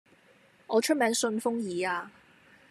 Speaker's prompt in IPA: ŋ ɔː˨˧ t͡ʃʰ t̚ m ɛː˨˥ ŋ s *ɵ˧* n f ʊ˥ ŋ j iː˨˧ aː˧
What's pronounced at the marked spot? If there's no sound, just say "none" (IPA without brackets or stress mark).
ɵ˧